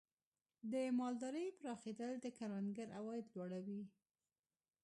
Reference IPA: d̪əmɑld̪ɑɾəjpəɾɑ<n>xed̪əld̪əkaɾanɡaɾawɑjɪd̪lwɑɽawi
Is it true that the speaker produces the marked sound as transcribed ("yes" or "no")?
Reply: no